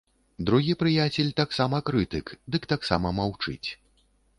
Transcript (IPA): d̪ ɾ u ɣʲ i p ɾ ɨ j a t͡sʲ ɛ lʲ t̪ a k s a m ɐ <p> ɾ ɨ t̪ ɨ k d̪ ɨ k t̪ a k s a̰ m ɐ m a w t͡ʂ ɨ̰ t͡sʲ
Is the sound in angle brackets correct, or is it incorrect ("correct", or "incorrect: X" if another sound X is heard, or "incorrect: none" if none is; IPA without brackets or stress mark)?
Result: incorrect: k